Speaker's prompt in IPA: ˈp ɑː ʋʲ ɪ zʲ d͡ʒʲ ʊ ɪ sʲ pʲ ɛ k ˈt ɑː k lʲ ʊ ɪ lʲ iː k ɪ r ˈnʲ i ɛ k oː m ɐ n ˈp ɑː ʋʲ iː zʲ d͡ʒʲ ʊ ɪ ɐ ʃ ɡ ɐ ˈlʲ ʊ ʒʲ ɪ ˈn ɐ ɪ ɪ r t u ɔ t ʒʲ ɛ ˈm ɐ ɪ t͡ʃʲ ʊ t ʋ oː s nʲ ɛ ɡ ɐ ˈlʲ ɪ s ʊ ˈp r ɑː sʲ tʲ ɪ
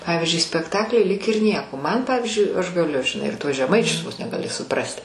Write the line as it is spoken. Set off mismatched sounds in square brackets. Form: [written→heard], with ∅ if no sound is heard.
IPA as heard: ˈp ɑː ʋʲ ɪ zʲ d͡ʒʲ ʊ ɪ sʲ pʲ ɛ k ˈt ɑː k lʲ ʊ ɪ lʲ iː k ɪ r ˈnʲ i ɛ k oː m ɐ n ˈp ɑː ʋʲ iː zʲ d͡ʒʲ ʊ ɪ ɐ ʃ ɡ ɐ ˈlʲ ʊ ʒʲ ɪ ˈn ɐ ɪ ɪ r t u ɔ [t→s] ʒʲ ɛ ˈm ɐ ɪ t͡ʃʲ ʊ [t→s] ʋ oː s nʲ ɛ ɡ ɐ ˈlʲ ɪ s ʊ ˈp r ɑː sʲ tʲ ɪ